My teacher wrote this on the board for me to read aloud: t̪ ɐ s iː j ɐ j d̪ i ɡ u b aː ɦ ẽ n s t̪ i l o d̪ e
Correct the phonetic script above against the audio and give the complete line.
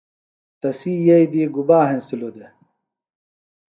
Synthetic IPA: t̪ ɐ s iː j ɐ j d̪ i ɡ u b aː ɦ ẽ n s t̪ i l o d̪ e